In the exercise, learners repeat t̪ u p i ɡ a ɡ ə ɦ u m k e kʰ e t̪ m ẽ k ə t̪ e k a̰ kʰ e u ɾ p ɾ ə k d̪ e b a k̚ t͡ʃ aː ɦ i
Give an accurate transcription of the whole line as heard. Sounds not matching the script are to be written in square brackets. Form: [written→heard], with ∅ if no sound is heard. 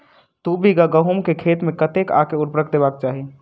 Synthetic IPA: t̪ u [p→b] i ɡ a ɡ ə ɦ u m k e kʰ e t̪ m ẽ k ə t̪ e k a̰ [kʰ→k] e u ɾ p ɾ ə k d̪ e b a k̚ t͡ʃ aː ɦ i

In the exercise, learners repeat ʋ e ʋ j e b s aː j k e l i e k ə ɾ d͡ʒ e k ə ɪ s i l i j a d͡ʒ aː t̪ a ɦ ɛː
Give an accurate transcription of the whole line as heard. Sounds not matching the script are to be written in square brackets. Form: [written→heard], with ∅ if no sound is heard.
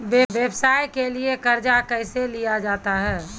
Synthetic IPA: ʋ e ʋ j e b s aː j k e l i e k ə ɾ d͡ʒ [e→a] k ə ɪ s [i→e] l i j a d͡ʒ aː t̪ a ɦ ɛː

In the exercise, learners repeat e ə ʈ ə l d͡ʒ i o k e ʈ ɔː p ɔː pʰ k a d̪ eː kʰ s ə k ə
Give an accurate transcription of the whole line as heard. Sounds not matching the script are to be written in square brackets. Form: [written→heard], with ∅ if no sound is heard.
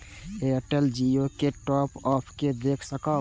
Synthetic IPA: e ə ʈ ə l d͡ʒ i o k e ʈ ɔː p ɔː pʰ k [a→e] d̪ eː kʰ s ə k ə

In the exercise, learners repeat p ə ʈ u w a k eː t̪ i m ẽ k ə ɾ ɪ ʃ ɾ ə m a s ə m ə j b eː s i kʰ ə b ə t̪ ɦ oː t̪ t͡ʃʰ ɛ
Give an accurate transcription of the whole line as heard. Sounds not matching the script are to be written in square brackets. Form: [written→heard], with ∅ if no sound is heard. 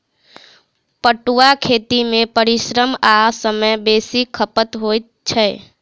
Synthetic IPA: p ə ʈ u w a [k→kʰ] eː t̪ i m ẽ [k→p] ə ɾ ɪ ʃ ɾ ə m a s ə m ə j b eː s i kʰ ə [b→p] ə t̪ ɦ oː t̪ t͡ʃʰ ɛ

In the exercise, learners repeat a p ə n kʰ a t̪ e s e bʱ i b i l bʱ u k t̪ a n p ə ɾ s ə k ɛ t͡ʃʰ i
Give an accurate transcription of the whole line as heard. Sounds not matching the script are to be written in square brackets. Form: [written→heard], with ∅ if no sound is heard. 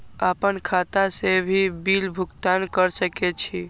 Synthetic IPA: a p ə n kʰ a t̪ [e→a] s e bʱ i b i l bʱ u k t̪ a n [p→k] ə ɾ s ə k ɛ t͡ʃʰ i

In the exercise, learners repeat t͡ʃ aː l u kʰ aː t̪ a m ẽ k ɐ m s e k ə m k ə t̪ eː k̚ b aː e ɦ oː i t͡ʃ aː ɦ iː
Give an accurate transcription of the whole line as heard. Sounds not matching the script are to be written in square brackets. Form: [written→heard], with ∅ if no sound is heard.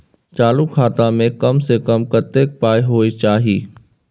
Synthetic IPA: t͡ʃ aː l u kʰ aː t̪ a m ẽ k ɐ m s e k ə m k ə t̪ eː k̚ [b→p] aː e ɦ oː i t͡ʃ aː ɦ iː

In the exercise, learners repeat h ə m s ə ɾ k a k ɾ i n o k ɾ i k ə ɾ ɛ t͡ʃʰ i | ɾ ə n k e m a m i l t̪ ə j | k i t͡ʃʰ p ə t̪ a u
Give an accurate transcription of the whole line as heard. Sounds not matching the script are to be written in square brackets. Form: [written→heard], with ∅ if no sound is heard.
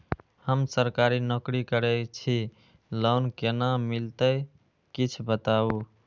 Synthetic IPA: h ə m s ə ɾ k a [k→∅] ɾ i n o k ɾ i k ə ɾ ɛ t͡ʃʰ i | [ɾ→l] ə n k e [m→n] a m i l t̪ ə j | k i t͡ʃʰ [p→b] ə t̪ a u

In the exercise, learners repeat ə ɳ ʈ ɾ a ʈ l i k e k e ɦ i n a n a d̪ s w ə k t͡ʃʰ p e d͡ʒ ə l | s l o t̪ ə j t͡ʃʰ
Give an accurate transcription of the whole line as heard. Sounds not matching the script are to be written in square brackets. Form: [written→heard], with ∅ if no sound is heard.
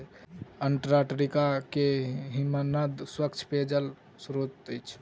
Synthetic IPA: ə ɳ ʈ ɾ a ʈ [l→ɾ] i k [e→a] k e ɦ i [n→m] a n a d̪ s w ə k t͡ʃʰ p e d͡ʒ ə l | s [l→ɾ] o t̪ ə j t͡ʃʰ

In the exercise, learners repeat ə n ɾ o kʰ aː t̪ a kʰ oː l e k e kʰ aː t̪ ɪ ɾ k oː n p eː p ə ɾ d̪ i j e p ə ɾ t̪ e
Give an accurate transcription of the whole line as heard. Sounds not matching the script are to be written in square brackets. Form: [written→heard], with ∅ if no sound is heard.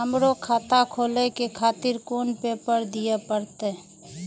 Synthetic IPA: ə [n→m] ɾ o kʰ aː t̪ a kʰ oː l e k e kʰ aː t̪ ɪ ɾ k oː n p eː p ə ɾ d̪ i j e p ə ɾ t̪ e

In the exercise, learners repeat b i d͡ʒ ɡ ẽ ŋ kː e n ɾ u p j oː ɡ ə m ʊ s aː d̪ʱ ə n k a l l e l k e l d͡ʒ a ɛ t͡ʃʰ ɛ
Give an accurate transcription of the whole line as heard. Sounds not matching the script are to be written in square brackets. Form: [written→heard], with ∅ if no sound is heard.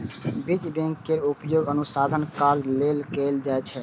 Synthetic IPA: b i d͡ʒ [ɡ→b] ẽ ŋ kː e [n→∅] ɾ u p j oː ɡ ə [m→n] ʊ s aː d̪ʱ ə n k a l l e l k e l d͡ʒ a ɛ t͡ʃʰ ɛ

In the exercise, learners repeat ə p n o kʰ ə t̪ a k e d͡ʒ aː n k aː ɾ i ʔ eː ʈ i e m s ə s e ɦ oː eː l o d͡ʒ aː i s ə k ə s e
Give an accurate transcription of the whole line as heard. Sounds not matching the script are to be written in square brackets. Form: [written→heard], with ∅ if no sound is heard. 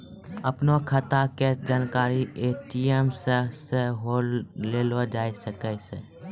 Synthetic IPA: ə p n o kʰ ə t̪ a k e d͡ʒ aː n k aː ɾ i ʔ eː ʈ i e m s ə s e ɦ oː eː l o d͡ʒ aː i s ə k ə s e

